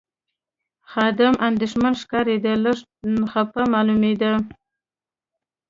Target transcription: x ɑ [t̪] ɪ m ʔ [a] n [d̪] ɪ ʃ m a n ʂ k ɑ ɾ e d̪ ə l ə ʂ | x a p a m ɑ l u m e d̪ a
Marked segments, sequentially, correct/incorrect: incorrect: d̪, correct, correct

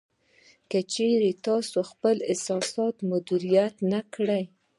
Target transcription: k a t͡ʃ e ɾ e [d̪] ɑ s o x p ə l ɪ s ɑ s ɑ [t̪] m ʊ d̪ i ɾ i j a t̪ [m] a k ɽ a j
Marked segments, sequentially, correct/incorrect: incorrect: t̪, correct, incorrect: n

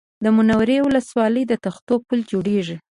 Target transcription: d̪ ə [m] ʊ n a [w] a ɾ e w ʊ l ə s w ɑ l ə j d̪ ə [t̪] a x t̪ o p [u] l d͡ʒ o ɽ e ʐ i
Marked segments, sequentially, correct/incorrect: correct, correct, correct, correct

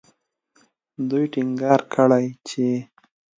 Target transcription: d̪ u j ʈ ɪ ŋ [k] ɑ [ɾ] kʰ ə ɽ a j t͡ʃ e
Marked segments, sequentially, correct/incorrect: incorrect: ɡ, correct

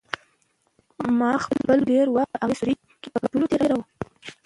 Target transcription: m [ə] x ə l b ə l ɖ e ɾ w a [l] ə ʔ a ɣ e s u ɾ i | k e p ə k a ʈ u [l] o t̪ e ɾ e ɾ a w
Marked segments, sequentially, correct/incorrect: incorrect: ɑ, incorrect: none, correct

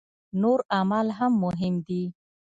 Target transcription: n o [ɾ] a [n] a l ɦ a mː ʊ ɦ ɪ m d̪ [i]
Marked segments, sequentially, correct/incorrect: correct, incorrect: m, correct

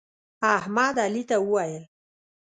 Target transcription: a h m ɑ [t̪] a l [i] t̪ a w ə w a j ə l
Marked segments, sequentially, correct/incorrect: incorrect: d̪, correct

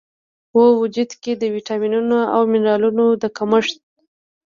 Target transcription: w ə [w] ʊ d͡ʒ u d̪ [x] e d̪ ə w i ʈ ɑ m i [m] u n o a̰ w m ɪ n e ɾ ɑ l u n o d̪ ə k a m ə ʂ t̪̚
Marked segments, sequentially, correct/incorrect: correct, incorrect: k, incorrect: n

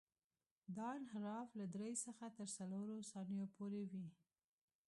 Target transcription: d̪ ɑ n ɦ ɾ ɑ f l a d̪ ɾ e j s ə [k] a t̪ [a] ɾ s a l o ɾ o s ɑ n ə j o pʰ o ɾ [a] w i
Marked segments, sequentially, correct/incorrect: incorrect: x, incorrect: ə, incorrect: e

